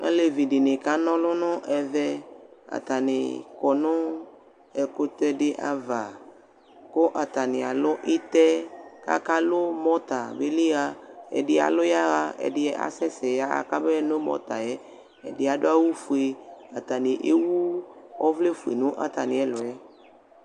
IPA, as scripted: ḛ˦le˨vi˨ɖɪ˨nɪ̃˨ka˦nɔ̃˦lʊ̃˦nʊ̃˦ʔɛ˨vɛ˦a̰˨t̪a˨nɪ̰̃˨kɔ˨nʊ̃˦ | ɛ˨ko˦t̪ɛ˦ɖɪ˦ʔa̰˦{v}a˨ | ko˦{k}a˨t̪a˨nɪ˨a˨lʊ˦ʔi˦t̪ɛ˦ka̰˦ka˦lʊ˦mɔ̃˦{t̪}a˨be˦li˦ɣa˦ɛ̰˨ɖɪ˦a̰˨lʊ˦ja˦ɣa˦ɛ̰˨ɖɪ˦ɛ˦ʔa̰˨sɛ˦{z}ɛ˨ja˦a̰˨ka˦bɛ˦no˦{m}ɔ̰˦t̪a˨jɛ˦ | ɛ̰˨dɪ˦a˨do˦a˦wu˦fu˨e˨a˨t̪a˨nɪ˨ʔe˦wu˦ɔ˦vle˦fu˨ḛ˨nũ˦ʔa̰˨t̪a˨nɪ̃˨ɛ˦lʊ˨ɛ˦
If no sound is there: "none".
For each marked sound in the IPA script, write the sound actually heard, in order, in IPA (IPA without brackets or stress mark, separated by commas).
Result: v, ʔ, t̪, s, m